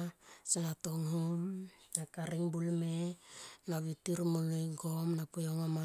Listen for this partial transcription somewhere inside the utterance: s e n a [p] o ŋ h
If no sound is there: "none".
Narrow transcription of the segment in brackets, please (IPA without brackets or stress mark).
t